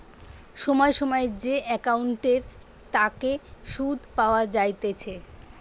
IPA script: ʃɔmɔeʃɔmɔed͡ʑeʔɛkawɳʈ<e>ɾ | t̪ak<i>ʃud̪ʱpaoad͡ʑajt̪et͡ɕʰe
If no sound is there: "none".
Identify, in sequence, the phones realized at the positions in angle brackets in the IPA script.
e, e

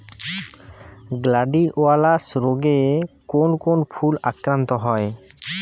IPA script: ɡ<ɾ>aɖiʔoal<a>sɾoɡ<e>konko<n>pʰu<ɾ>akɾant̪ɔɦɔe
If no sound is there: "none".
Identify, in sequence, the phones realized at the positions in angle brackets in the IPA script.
l, a, e, n, l

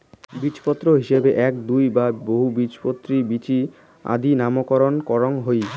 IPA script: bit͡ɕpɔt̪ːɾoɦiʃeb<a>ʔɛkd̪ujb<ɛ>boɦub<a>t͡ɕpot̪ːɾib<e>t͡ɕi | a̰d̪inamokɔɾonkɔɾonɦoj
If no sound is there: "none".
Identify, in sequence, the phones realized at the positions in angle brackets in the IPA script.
e, a, i, i

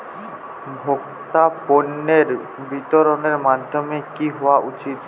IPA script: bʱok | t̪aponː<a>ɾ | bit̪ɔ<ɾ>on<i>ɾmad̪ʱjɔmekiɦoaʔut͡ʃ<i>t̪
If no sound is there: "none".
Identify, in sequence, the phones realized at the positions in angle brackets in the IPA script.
e, ɾ, e, i

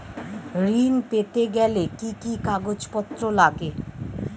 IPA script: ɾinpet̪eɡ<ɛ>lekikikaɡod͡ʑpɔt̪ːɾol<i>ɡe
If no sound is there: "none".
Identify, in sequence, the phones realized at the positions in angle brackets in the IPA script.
ɛ, a

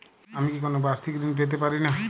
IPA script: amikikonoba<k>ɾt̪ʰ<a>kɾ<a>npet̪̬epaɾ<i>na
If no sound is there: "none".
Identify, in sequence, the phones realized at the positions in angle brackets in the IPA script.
none, i, i, i

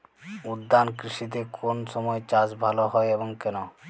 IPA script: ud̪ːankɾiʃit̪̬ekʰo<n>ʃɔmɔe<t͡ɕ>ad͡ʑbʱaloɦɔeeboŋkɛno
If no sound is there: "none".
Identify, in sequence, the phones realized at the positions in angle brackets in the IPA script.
n, t͡ɕ

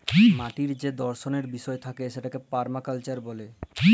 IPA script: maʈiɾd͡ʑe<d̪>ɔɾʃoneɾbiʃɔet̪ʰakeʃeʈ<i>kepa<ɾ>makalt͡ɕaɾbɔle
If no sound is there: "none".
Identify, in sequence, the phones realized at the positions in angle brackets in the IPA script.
d̪, a, ɾ

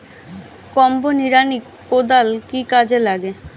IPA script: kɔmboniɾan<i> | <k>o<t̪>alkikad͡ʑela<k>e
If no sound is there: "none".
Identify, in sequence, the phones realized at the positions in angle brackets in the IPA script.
i, k, d̪, ɡ

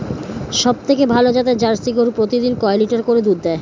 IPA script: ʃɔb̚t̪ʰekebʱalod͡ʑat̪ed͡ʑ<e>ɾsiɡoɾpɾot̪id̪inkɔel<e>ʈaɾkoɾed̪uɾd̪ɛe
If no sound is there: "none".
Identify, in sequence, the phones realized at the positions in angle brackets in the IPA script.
a, i

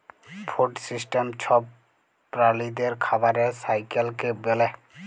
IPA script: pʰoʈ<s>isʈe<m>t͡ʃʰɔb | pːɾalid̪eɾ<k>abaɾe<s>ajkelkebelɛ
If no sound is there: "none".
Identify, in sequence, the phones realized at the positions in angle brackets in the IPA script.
s, m, kʰ, s

